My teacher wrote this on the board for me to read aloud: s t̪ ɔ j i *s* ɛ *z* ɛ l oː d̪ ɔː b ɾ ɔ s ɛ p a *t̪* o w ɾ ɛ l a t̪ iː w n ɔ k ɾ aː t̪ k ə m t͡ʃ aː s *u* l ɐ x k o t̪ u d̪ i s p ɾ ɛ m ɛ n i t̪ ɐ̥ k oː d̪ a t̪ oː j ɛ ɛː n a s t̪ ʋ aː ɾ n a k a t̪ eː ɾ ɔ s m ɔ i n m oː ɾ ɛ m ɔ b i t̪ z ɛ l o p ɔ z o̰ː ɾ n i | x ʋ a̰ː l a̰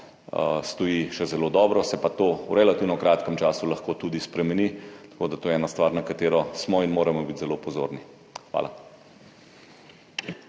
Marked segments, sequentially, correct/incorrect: incorrect, correct, correct, correct

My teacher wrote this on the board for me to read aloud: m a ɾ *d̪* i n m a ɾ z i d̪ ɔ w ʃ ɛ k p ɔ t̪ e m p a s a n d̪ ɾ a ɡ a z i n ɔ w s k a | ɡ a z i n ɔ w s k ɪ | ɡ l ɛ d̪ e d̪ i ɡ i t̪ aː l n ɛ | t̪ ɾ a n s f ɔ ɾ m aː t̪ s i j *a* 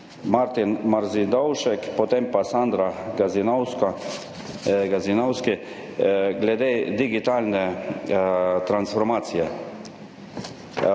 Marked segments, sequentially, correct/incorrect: incorrect, incorrect

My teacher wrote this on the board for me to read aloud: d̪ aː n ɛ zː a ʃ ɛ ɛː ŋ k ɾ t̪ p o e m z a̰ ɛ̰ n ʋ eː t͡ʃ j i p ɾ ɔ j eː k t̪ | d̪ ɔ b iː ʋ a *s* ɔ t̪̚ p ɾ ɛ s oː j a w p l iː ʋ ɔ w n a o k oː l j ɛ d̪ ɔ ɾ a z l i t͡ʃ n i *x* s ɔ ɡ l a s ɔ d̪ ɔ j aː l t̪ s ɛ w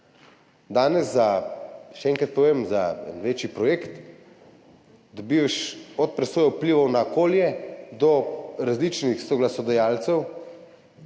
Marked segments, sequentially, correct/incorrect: incorrect, correct

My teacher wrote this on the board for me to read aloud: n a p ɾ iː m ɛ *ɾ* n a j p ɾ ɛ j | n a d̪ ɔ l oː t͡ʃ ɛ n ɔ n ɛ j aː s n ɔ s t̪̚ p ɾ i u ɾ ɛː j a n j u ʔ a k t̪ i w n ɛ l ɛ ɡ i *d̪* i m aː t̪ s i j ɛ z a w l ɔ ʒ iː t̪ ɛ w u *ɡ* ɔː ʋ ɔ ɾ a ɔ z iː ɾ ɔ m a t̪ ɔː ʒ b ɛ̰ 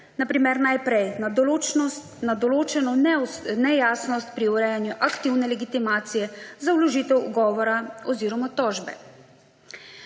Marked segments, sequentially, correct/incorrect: correct, incorrect, correct

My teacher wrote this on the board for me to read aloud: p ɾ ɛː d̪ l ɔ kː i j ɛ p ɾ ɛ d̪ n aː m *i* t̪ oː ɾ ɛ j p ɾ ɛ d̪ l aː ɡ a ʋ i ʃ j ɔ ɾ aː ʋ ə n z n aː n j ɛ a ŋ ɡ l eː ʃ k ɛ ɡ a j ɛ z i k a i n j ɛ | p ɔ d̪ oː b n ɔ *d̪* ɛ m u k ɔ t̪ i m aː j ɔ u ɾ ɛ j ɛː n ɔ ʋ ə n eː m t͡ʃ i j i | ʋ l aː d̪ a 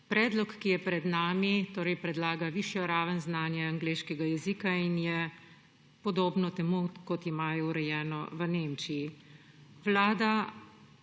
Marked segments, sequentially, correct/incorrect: correct, incorrect

